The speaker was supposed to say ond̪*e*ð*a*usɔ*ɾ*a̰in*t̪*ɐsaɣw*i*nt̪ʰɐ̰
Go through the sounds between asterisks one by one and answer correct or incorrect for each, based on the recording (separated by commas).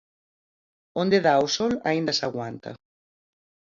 correct, correct, incorrect, incorrect, incorrect